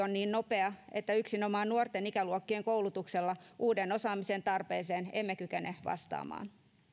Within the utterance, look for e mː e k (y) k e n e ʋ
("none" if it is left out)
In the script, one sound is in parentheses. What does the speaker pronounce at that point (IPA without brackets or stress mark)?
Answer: y